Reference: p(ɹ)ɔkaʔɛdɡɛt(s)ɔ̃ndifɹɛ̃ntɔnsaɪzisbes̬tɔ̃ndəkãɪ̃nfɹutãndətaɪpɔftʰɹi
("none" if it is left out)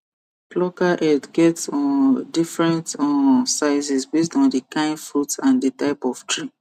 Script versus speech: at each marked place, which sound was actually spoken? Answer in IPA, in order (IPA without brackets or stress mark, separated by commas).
l, s